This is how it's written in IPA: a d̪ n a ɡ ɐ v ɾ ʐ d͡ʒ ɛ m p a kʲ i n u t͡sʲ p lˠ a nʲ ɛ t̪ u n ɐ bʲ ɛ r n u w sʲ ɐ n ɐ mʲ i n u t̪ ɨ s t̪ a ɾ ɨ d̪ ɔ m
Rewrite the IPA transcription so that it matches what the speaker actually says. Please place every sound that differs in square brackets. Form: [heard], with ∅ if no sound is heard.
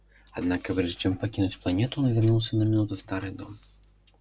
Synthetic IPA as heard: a d̪ n a [k] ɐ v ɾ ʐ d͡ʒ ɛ m p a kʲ i n u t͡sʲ p lˠ a nʲ ɛ t̪ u n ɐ [vʲ] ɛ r n u w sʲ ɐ n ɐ mʲ i n u t̪ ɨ s t̪ a ɾ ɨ d̪ ɔ m